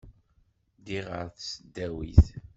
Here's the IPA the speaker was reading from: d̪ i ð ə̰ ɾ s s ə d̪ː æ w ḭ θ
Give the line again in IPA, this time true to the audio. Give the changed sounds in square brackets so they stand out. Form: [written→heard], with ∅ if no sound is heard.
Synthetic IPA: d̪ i [ð→ʁ] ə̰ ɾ [s→θ] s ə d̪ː æ w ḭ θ